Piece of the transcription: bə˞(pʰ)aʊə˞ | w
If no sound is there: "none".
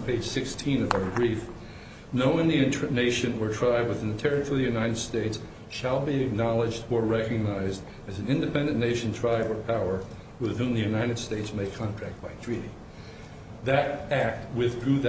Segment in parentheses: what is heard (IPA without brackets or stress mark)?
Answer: pʰ